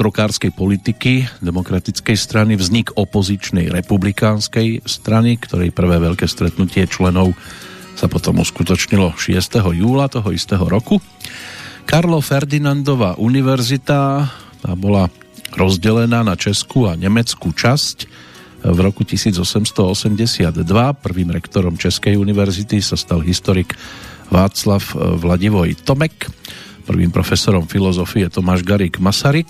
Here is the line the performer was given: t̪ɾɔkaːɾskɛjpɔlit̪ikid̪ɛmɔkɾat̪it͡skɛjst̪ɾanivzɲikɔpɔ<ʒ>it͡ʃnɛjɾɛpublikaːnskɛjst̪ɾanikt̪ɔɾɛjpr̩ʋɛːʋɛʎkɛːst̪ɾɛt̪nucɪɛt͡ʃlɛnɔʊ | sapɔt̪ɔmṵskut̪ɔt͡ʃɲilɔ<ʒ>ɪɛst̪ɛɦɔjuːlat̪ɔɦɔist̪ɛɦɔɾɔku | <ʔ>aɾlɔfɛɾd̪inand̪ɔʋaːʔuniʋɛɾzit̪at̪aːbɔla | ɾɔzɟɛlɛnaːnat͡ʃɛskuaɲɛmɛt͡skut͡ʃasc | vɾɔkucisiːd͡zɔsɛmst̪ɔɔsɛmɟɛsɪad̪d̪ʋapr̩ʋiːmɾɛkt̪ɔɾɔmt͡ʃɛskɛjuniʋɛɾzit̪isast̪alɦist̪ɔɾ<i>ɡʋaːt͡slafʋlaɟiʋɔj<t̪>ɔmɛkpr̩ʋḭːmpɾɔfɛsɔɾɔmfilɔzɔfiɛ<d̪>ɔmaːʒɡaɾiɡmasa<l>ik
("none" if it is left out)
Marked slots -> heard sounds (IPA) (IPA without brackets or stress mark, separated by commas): z, ʃ, k, i, t̪, t̪, ɾ